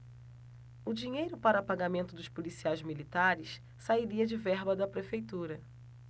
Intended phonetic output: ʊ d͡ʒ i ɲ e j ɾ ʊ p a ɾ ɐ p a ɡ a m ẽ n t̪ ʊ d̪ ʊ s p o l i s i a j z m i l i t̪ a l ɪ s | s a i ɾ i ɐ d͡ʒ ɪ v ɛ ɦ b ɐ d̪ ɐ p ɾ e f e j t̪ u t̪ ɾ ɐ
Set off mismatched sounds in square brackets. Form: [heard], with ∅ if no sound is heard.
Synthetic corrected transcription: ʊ d͡ʒ i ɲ e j ɾ ʊ p a ɾ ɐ p a ɡ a m ẽ n t̪ ʊ d̪ ʊ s p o l i s i a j z m i l i t̪ a [ɾ] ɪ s | s a i ɾ i ɐ d͡ʒ ɪ v ɛ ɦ b ɐ d̪ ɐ p ɾ e f e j t̪ u [∅] ɾ ɐ

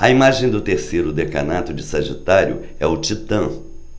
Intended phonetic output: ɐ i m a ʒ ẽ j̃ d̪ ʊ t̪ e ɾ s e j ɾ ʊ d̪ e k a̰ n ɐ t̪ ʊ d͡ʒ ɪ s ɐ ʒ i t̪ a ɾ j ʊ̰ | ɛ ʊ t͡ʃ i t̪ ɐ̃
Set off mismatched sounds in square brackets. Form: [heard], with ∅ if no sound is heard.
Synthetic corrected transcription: ɐ i m a ʒ ẽ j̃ d̪ ʊ t̪ e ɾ s e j ɾ ʊ d̪ e k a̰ n [a] t̪ ʊ d͡ʒ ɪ s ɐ ʒ i t̪ a ɾ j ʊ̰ | ɛ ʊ t͡ʃ i t̪ ɐ̃

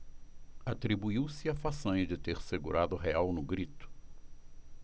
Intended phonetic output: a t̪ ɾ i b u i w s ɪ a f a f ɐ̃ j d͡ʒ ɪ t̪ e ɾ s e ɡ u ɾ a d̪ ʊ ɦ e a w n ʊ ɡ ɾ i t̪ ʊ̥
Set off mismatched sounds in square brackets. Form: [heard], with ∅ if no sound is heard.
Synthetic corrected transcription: a t̪ ɾ i b u i w s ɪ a f a [s] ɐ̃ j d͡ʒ ɪ t̪ e ɾ s e ɡ u ɾ a d̪ ʊ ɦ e a w n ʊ ɡ ɾ i t̪ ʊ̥

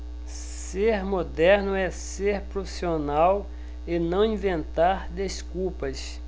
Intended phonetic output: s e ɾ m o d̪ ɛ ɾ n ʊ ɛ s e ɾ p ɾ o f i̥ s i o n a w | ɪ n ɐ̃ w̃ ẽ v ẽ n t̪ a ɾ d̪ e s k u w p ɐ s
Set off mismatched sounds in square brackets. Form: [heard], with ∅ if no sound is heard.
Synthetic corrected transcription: s e ɾ m o d̪ ɛ ɾ n ʊ ɛ s e ɾ p ɾ o f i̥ s i o n a w | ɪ n ɐ̃ w̃ [ĩ] v ẽ n t̪ a ɾ d̪ e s k u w p ɐ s

